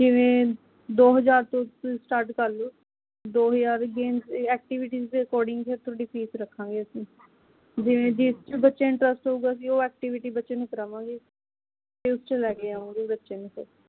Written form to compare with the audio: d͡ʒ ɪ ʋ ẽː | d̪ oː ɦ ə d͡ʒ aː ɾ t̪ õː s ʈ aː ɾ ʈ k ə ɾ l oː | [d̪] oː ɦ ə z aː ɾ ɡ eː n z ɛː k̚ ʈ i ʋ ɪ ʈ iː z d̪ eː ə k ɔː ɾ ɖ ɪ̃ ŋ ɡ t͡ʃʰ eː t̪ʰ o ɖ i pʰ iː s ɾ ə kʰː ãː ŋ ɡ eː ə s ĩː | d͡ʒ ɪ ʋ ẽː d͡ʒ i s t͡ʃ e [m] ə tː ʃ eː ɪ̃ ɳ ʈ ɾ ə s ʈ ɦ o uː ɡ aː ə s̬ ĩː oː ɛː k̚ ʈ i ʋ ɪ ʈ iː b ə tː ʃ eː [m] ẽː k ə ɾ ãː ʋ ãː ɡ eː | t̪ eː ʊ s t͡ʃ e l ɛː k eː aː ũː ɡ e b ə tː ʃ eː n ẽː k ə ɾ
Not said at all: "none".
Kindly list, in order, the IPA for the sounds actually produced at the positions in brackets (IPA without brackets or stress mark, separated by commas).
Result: d̪, b, n